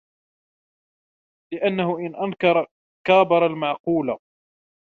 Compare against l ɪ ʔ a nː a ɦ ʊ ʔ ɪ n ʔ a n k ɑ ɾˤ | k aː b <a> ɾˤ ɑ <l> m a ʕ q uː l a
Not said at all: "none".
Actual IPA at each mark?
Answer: ɑ, l

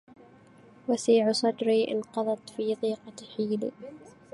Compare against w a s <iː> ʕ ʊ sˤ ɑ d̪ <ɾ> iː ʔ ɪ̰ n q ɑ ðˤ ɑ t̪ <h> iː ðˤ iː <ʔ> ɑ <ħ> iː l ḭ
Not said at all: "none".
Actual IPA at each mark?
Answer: iː, ɾ, f, q, ħ

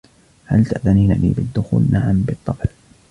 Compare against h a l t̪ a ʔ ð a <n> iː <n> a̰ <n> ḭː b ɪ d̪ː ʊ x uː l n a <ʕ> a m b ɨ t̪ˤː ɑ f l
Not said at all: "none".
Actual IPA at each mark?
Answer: n, n, n, ʕ

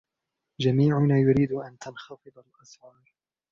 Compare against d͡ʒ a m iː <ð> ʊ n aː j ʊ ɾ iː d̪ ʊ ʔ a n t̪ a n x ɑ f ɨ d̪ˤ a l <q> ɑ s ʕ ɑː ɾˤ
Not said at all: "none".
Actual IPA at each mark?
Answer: ʕ, ʔ

